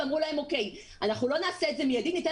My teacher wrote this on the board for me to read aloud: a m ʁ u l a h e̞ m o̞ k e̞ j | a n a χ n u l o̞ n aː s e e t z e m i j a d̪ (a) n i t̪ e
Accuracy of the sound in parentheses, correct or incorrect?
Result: incorrect